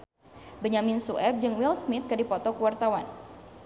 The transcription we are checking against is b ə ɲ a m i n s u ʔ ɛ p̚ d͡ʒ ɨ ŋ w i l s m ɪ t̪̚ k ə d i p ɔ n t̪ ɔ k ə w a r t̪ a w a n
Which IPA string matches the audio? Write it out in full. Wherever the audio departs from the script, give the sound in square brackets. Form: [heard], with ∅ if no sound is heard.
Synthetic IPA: b ə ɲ a m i n s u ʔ ɛ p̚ d͡ʒ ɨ ŋ w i l s m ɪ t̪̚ k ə d i p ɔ [∅] t̪ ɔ k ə w a r t̪ a w a n